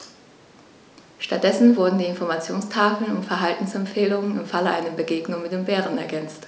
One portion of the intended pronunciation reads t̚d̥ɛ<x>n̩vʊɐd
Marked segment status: incorrect: s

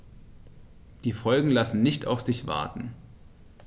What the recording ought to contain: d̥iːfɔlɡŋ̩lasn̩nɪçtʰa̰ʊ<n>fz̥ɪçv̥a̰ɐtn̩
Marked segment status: incorrect: none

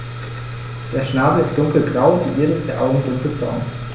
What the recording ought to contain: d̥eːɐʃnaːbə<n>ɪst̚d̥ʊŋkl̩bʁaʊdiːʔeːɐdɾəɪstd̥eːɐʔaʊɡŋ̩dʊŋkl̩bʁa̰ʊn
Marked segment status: incorrect: none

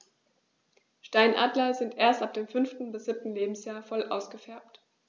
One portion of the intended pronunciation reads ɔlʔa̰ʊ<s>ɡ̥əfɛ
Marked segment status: correct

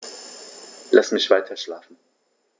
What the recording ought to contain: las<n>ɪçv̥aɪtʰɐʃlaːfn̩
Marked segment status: incorrect: m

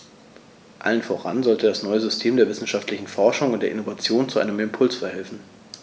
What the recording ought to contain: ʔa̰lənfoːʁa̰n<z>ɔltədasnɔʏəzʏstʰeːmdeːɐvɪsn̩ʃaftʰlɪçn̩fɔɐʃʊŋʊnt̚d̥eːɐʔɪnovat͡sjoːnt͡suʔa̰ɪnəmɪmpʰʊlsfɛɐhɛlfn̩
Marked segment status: correct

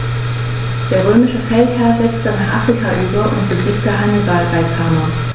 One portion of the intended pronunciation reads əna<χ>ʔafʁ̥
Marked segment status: correct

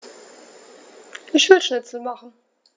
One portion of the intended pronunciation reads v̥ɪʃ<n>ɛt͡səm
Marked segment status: correct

